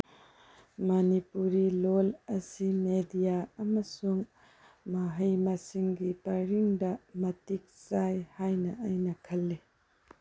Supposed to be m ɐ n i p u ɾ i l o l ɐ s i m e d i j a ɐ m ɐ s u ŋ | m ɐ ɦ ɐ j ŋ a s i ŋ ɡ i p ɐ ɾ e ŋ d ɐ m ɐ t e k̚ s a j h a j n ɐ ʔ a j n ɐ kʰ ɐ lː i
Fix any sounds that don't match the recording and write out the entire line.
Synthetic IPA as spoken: m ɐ n i p u ɾ i l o l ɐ s i m e d i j a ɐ m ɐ s u ŋ | m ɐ ɦ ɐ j m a s i ŋ ɡ i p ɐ ɾ i ŋ d ɐ m ɐ t i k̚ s a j h a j n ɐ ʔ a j n ɐ kʰ ɐ lː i